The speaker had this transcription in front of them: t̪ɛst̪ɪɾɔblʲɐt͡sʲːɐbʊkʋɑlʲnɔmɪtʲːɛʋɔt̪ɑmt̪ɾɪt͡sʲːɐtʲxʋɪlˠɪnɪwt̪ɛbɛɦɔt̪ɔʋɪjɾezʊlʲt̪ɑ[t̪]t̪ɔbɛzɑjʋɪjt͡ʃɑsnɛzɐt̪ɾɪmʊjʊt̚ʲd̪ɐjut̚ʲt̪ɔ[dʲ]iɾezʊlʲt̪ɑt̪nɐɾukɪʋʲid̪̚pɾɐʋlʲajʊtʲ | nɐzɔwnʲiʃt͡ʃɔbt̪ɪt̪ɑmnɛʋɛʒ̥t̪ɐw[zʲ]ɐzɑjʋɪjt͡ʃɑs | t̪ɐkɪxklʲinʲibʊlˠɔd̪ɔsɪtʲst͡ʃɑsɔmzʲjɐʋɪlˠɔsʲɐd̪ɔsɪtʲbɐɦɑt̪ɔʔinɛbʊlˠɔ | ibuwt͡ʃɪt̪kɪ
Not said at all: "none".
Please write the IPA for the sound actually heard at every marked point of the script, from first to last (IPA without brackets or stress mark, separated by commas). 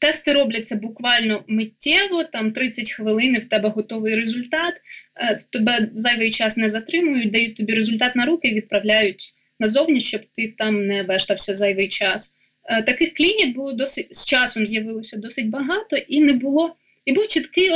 t̪, bʲ, sʲ